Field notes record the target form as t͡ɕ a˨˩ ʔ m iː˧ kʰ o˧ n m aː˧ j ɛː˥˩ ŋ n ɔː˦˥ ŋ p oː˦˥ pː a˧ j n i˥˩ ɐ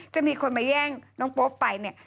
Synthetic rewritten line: t͡ɕ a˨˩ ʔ m iː˧ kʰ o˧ n m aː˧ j ɛː˥˩ ŋ n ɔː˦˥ ŋ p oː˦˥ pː a˧ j n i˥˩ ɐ

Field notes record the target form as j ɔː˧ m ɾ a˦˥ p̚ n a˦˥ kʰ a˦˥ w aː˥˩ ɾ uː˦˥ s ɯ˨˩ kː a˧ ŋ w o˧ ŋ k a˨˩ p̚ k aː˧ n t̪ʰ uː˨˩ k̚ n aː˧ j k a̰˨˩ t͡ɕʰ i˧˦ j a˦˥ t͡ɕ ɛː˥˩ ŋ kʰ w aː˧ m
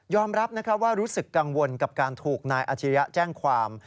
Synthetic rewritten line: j ɔː˧ m ɾ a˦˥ p̚ n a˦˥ kʰ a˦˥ w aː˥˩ ɾ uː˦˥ s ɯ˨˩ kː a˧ ŋ w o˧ n k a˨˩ p̚ k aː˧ n t̪ʰ uː˨˩ k̚ n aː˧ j ʔ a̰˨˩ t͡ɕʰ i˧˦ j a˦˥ t͡ɕ ɛː˥˩ ŋ kʰ w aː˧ m

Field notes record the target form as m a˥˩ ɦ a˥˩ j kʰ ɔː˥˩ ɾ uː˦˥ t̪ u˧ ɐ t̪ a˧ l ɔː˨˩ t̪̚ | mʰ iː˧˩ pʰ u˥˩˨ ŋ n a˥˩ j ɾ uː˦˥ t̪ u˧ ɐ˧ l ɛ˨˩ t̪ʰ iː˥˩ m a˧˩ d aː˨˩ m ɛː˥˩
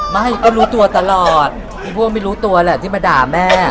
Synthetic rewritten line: m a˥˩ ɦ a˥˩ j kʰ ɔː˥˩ ɾ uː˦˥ t̪ u˧ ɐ t̪ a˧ l ɔː˨˩ t̪̚ | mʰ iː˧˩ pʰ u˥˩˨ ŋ m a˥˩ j ɾ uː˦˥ t̪ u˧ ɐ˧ l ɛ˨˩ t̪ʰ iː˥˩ m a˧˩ d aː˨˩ m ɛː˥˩

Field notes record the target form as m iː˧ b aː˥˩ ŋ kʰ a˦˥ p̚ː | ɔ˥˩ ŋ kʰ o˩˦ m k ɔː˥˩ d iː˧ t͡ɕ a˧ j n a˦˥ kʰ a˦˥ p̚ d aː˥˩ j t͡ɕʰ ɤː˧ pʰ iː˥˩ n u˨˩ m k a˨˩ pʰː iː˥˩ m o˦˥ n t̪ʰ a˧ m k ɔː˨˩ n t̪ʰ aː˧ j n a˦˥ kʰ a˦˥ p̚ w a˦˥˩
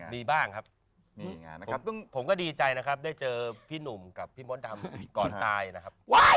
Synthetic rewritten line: m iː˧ b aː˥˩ ŋ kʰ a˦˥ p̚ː | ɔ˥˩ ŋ pʰ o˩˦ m k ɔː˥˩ d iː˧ t͡ɕ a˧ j n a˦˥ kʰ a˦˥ p̚ d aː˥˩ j t͡ɕ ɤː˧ pʰ iː˥˩ n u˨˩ m k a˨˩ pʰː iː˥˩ m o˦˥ n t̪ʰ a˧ m k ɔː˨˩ n t̪ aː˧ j n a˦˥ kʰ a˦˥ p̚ w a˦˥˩

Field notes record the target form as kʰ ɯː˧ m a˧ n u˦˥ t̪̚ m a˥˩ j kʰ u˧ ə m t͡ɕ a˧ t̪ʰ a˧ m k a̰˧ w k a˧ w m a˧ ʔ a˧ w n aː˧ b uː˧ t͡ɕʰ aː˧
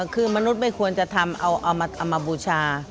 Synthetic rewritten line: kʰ ɯː˧ m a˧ n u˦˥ t̪̚ m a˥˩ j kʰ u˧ ə n t͡ɕ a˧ t̪ʰ a˧ m ʔ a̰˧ w ʔ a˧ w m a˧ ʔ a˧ w m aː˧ b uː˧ t͡ɕʰ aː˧

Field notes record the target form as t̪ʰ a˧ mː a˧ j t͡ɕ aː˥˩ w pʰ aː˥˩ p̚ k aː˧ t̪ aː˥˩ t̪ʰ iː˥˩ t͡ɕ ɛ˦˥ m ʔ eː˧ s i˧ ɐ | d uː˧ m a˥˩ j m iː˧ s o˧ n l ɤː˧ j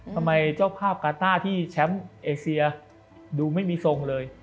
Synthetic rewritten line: t̪ʰ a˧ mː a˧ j t͡ɕ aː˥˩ w pʰ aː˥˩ p̚ k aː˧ t̪ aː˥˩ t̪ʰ iː˥˩ t͡ɕʰ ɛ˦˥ m ʔ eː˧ s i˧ ɐ | d uː˧ m a˥˩ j m iː˧ s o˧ ŋ l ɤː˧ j

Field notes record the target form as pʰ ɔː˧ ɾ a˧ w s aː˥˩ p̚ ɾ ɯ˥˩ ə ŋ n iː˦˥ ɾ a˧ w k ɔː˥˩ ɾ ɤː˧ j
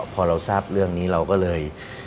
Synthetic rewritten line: pʰ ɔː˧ ɾ a˧ w s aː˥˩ p̚ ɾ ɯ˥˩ ə ŋ n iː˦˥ ɾ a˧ w k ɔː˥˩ l ɤː˧ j

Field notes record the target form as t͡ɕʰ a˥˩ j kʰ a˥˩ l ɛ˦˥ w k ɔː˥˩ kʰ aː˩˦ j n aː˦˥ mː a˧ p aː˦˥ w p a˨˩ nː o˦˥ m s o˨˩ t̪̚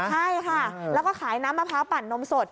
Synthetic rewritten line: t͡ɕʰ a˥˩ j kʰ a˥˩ l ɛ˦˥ w k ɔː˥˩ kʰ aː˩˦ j n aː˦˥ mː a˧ pʰ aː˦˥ w p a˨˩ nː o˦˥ m s o˨˩ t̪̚

